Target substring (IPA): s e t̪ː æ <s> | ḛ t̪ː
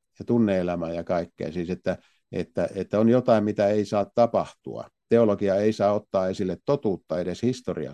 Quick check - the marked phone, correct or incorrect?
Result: incorrect